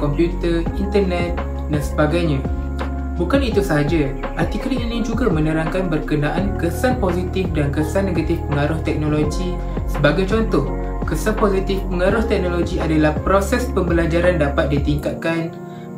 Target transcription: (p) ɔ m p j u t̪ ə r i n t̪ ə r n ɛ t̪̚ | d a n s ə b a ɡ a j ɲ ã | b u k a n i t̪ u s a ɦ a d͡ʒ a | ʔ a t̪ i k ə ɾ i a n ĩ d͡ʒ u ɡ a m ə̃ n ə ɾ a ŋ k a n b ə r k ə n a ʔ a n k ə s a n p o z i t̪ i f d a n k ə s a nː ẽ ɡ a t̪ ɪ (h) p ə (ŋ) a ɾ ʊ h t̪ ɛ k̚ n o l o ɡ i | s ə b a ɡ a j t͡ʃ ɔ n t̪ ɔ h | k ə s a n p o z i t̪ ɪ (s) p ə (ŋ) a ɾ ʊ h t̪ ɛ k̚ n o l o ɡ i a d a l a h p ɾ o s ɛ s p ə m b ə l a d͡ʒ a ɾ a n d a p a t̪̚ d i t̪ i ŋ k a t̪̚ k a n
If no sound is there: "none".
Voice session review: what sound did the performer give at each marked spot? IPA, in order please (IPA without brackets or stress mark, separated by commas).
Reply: k, f, ŋ, f, ŋ